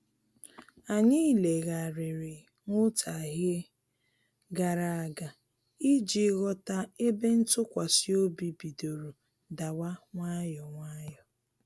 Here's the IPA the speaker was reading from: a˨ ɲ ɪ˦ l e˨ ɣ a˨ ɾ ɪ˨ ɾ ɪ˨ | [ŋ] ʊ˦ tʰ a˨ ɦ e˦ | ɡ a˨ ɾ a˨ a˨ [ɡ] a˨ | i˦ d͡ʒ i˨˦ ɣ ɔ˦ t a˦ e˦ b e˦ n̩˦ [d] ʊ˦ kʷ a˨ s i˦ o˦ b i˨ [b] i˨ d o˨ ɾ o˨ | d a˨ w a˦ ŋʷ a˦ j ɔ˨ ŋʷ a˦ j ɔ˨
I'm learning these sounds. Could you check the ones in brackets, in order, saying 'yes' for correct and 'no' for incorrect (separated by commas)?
yes, yes, no, yes